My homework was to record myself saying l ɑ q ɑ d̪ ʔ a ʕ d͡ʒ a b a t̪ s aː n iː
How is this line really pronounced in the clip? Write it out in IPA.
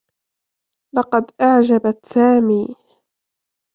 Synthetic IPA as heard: l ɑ q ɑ d̪ ʔ a ʕ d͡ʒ a b a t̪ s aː m iː